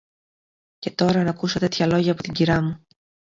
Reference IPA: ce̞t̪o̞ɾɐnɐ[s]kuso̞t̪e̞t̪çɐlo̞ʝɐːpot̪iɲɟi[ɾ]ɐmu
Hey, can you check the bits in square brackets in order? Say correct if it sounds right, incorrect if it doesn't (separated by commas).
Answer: incorrect, correct